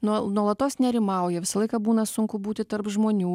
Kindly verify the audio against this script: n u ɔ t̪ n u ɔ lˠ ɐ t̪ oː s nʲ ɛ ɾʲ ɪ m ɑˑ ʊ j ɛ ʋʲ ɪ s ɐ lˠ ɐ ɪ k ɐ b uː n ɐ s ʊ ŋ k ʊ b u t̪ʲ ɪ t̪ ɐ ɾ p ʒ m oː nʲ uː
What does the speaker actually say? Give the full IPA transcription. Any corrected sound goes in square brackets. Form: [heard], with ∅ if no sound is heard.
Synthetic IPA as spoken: n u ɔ [∅] n u ɔ lˠ ɐ t̪ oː s nʲ ɛ ɾʲ ɪ m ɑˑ ʊ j ɛ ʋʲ ɪ s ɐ lˠ ɐ ɪ k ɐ b uː n ɐ s ʊ ŋ k ʊ b [uː] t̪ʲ ɪ t̪ ɐ ɾ p ʒ m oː nʲ uː